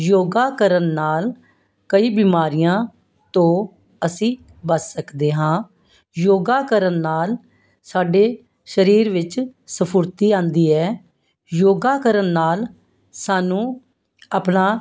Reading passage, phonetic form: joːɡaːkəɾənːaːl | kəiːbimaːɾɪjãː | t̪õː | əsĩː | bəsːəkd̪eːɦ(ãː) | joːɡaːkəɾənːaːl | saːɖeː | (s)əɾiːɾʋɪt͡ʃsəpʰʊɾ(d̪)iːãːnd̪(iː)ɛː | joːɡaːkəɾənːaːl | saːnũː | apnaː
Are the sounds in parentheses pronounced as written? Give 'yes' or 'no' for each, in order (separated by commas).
yes, no, no, yes